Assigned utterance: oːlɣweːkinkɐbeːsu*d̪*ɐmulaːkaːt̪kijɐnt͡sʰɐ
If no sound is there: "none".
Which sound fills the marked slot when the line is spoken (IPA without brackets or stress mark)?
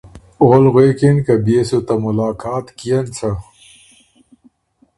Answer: t̪